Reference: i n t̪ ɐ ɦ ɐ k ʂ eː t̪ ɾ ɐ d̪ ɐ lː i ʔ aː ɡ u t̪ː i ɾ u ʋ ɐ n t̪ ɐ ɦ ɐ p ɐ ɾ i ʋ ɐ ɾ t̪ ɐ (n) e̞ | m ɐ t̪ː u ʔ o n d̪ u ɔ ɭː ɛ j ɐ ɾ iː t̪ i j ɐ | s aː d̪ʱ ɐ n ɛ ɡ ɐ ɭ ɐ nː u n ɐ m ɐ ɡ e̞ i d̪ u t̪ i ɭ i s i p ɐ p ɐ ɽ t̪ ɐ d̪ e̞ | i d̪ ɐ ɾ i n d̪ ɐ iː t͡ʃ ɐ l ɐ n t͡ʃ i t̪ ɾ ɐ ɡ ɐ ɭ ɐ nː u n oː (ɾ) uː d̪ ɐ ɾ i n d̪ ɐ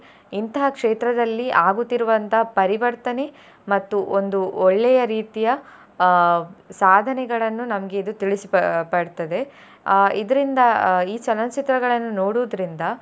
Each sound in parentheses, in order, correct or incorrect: correct, incorrect

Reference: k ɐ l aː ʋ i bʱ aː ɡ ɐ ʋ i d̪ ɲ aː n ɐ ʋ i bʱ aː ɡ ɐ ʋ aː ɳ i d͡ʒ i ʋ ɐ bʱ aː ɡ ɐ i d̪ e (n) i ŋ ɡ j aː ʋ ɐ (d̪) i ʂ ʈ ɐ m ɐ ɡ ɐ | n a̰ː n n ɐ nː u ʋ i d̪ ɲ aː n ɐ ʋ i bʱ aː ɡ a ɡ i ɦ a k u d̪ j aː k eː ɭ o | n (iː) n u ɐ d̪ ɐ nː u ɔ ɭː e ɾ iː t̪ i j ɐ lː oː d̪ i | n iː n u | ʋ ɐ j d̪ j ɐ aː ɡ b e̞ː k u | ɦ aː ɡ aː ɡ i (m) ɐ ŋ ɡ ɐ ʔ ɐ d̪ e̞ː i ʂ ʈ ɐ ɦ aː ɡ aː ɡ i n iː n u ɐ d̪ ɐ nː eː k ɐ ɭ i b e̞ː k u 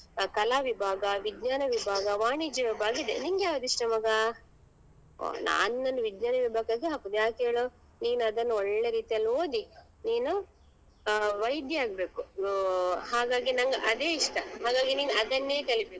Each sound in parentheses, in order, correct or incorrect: correct, correct, correct, incorrect

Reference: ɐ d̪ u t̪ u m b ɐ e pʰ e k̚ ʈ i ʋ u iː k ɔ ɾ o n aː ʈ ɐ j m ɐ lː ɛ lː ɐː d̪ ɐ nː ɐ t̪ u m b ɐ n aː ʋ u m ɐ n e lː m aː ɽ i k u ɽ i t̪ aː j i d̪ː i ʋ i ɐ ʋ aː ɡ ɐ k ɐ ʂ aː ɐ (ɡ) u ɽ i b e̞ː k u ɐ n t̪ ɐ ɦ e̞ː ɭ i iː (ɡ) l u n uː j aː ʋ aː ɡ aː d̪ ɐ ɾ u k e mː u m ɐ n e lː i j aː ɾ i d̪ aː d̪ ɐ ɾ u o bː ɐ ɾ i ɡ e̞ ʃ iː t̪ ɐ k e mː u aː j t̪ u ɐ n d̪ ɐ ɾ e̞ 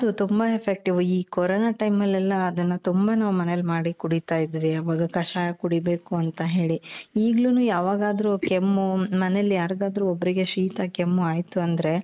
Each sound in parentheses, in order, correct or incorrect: incorrect, correct

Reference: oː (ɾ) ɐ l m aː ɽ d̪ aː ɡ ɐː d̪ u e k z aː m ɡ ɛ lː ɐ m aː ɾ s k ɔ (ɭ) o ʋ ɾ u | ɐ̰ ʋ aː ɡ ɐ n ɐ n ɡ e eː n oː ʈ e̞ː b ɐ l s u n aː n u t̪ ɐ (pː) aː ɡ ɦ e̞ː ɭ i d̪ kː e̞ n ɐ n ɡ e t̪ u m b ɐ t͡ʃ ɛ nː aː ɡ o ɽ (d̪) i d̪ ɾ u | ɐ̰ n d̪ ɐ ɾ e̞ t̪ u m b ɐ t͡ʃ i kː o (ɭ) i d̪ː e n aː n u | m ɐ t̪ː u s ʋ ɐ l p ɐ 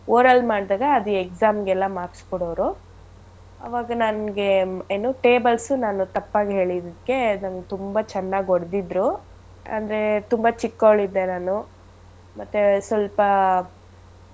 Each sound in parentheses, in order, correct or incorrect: correct, incorrect, correct, correct, correct

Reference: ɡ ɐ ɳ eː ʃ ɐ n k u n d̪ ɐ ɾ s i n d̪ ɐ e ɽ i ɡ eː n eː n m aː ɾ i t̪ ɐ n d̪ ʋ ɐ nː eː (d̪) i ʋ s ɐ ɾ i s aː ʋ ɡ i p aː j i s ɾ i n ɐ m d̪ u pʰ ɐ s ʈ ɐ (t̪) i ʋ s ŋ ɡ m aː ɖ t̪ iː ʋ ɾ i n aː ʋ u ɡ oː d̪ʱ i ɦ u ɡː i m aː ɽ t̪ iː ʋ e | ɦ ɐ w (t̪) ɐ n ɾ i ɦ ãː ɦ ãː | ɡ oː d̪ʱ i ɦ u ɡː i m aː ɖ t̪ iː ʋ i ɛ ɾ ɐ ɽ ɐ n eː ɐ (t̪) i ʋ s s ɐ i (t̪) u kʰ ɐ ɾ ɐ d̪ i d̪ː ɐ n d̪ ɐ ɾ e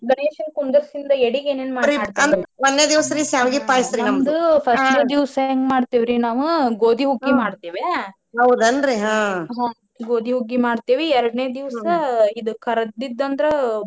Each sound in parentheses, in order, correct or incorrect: correct, incorrect, incorrect, incorrect, incorrect

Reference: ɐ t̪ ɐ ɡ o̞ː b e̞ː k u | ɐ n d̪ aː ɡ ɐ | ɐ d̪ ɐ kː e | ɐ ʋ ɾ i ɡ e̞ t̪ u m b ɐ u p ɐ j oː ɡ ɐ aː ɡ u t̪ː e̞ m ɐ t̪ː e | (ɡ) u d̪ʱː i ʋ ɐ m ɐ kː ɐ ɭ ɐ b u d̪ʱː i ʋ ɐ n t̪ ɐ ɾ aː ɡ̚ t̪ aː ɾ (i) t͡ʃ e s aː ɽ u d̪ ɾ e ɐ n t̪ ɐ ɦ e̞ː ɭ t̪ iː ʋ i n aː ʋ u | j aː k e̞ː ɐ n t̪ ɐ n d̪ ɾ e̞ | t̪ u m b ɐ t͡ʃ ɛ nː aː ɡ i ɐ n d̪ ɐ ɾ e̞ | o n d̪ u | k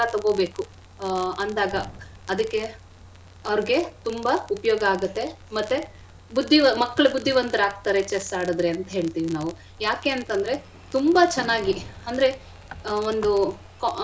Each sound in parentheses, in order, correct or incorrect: incorrect, incorrect

